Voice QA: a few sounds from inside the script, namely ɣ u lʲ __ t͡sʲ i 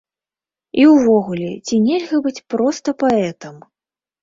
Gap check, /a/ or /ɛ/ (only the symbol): ɛ